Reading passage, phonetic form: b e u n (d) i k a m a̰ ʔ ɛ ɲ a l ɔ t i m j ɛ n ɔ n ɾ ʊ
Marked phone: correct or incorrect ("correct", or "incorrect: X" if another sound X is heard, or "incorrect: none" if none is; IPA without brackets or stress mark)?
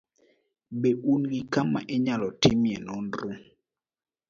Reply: incorrect: ɡ